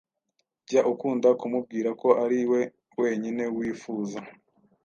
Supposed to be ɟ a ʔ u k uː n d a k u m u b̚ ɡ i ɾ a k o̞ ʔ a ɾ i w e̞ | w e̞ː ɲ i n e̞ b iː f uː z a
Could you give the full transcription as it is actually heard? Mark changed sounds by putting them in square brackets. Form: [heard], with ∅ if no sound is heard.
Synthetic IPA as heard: ɟ a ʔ u k uː n d a k u m u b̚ ɡ [iː] ɾ a k o̞ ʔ a ɾ i w e̞ | w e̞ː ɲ i n e̞ [w] iː f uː z a